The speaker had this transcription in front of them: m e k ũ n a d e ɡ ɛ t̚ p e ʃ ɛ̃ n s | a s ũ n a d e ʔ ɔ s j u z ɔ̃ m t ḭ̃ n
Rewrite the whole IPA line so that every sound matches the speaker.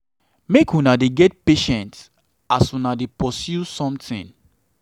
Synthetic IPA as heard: m e k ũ n a d e ɡ ɛ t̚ p e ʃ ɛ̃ n t | a s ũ n a d e p ɔ s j u s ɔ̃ m t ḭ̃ n